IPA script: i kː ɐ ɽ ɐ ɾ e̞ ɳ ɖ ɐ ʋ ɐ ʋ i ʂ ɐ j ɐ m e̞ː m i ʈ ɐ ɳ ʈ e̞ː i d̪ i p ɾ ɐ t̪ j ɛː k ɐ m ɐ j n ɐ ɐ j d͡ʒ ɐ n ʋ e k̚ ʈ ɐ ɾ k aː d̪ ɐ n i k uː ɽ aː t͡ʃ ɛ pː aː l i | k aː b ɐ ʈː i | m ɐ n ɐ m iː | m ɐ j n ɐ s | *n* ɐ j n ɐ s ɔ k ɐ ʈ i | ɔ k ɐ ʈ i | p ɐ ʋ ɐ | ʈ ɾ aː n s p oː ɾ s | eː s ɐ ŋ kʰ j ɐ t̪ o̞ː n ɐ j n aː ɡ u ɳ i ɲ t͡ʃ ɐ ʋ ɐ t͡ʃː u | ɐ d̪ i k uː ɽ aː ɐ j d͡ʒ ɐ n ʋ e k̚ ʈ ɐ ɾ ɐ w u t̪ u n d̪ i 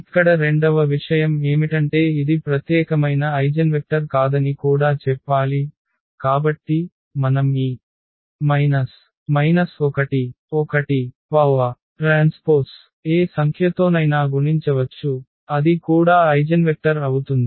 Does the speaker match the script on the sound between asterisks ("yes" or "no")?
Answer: no